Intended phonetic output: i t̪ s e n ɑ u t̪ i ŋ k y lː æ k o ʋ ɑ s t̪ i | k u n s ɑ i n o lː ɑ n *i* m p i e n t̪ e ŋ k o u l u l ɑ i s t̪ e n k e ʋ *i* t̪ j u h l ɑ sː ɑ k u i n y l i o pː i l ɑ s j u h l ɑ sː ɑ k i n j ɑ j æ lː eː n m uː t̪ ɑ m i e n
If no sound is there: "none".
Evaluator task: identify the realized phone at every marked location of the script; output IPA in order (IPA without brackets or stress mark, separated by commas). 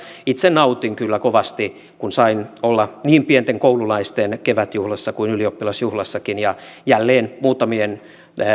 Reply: iː, æ